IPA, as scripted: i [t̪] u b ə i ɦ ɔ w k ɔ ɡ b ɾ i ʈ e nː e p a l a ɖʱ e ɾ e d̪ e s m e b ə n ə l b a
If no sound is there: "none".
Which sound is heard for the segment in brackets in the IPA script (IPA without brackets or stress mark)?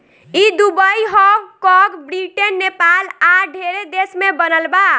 d̪